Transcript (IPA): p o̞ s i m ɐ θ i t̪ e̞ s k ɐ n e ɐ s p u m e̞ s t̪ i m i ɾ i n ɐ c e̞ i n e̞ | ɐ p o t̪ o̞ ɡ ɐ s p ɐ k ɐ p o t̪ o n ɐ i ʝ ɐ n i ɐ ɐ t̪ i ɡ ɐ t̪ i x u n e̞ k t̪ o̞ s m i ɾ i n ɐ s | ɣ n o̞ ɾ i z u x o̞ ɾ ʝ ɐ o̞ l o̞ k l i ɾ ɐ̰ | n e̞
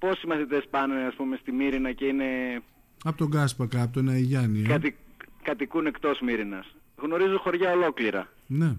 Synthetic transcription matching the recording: p o̞ s i m ɐ θ i t̪ e̞ s p ɐ n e ɐ s p u m e̞ s t̪ i m i ɾ i n ɐ c e̞ i n e̞ | ɐ p o t̪ o̞ ɡ ɐ s p ɐ k ɐ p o t̪ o n ɐ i ʝ ɐ n i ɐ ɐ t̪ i k ɐ t̪ i k u n e̞ k t̪ o̞ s m i ɾ i n ɐ s | ɣ n o̞ ɾ i z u x o̞ ɾ ʝ ɐ o̞ l o̞ k l i ɾ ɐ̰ | n e̞